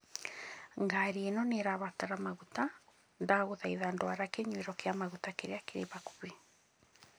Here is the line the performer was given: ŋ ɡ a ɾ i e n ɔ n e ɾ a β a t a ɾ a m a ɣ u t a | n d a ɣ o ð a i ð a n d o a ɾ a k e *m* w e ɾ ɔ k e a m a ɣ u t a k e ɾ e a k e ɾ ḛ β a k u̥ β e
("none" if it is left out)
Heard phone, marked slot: ɲ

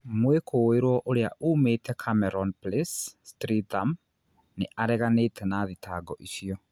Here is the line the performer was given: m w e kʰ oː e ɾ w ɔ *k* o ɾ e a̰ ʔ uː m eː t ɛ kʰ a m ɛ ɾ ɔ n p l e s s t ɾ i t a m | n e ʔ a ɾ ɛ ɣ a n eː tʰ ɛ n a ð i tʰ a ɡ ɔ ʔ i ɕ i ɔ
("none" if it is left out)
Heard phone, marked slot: ʔ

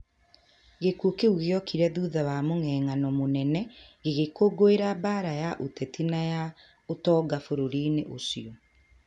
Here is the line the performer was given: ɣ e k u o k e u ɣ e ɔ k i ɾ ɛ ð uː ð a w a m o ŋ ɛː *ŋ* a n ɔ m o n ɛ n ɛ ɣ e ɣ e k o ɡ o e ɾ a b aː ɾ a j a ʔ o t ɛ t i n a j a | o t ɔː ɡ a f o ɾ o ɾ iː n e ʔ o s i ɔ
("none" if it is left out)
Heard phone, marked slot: ŋ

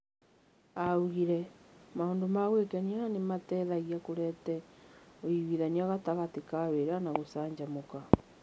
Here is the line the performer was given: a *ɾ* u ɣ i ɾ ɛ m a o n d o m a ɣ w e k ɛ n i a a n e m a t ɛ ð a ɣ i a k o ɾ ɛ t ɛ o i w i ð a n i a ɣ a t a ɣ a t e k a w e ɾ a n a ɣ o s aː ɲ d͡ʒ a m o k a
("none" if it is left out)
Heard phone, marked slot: none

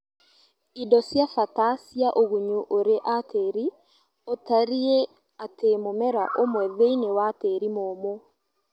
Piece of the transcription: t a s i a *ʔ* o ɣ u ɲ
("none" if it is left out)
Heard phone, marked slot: ʔ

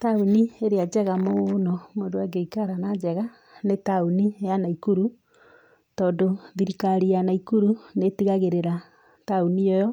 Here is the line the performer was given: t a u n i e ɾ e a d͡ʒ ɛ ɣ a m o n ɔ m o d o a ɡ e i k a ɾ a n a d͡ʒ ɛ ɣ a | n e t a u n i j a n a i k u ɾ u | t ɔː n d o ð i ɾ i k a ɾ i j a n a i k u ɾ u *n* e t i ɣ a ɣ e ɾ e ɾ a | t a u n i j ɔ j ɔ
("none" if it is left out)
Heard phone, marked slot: n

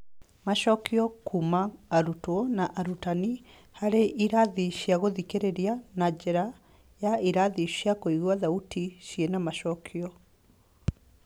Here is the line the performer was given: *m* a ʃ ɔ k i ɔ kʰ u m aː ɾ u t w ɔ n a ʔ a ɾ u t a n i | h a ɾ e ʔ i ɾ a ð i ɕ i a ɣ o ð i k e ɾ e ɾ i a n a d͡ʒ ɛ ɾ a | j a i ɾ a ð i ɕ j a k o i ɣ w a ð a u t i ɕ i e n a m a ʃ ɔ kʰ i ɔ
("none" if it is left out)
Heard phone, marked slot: m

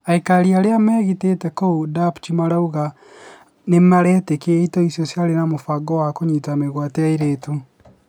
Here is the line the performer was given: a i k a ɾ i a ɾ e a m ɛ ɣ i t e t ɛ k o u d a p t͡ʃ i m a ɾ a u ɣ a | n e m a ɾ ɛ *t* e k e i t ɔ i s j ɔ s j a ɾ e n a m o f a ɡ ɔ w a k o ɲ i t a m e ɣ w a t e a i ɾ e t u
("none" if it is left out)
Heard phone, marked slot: t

